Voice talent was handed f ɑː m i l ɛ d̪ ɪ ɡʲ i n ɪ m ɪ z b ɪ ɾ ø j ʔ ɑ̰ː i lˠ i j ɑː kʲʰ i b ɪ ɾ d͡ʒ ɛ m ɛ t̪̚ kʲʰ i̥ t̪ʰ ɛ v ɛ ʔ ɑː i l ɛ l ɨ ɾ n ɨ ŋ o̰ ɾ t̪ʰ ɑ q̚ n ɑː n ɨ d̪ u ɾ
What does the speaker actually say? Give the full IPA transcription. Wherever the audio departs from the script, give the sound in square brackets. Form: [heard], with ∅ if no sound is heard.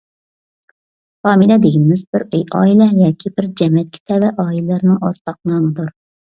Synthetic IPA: f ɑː m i l ɛ d̪ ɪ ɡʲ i n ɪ m ɪ z b ɪ ɾ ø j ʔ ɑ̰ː i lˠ [ɛ] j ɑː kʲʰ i b ɪ ɾ d͡ʒ ɛ m ɛ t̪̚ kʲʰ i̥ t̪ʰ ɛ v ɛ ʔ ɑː i l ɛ l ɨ ɾ n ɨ ŋ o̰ ɾ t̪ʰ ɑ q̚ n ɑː n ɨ d̪ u ɾ

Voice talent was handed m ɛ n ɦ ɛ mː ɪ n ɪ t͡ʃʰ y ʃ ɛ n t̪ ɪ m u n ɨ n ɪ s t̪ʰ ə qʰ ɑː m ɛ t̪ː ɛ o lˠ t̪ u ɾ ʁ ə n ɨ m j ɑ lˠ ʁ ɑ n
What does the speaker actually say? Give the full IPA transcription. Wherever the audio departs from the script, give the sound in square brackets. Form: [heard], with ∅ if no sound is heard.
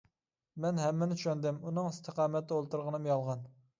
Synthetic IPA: m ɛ n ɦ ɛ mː ɪ n ɪ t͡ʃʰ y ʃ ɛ n [d̪] ɪ m u n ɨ [ŋ] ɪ s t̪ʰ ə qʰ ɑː m ɛ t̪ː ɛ o lˠ t̪ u ɾ ʁ ə n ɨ m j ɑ lˠ ʁ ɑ n

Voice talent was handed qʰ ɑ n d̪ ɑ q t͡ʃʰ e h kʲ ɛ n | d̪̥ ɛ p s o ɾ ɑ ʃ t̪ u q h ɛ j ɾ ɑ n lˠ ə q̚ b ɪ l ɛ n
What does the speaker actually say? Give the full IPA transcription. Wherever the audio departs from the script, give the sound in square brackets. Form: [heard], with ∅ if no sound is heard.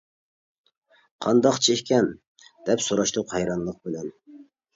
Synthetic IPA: qʰ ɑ n d̪ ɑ q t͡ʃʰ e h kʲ ɛ n | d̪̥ ɛ p s o ɾ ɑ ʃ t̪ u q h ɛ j ɾ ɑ n lˠ ə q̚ b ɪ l ɛ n

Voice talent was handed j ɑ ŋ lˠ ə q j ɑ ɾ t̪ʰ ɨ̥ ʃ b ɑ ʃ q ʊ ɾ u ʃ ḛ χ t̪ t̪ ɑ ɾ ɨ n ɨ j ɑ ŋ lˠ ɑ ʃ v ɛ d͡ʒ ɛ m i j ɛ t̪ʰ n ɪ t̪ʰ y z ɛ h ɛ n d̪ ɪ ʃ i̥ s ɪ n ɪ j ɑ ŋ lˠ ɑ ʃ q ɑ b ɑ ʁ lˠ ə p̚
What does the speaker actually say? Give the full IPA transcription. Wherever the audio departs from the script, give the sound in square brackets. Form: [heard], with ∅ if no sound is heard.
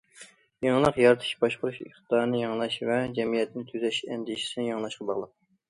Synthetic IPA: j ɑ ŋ lˠ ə q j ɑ ɾ t̪ʰ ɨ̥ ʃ b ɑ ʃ q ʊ ɾ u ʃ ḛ χ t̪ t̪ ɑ ɾ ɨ n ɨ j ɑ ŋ lˠ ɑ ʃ v ɛ d͡ʒ ɛ m i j ɛ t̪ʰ n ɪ t̪ʰ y z ɛ [ʃ] ɛ n d̪ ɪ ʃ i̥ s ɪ n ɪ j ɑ ŋ lˠ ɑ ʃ q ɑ b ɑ ʁ lˠ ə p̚

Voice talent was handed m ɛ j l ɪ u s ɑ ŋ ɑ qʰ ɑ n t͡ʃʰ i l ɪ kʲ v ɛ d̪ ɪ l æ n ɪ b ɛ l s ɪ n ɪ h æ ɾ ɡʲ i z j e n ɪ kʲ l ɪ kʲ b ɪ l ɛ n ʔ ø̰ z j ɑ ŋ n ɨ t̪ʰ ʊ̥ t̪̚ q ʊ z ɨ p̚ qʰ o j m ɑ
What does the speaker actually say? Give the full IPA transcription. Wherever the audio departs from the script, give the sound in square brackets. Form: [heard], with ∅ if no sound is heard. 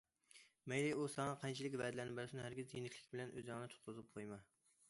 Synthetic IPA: m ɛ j l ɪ u s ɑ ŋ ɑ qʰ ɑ n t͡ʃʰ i l ɪ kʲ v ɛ d̪ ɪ l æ n ɪ b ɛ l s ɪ n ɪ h æ ɾ ɡʲ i z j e n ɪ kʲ l ɪ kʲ b ɪ l ɛ n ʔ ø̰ z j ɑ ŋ n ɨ t̪ʰ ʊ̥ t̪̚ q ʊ z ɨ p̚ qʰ o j m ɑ

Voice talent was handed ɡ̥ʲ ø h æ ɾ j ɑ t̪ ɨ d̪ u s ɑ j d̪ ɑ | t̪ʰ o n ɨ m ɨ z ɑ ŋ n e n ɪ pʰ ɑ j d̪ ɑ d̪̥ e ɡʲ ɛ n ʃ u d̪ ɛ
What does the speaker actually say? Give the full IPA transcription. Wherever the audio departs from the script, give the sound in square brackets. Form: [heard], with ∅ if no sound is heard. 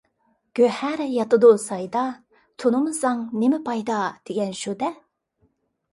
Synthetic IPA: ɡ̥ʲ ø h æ ɾ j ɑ t̪ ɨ d̪ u s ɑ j d̪ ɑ | t̪ʰ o n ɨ m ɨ z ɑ ŋ n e [m] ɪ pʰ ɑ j d̪ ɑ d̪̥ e ɡʲ ɛ n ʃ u d̪ ɛ

